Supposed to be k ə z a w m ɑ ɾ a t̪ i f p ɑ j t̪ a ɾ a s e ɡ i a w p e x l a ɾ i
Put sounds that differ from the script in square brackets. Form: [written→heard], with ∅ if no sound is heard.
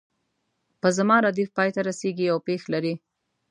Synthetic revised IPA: [k→p] ə z a [w→∅] m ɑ ɾ a [t̪→d̪] i f p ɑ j t̪ a ɾ a s e ɡ i a w p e x l a ɾ i